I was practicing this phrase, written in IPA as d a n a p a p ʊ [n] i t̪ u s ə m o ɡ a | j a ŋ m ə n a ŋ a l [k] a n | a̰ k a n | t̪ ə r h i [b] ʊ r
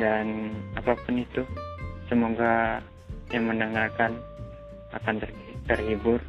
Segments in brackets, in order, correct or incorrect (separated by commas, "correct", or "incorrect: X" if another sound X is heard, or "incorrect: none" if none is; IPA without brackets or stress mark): correct, correct, correct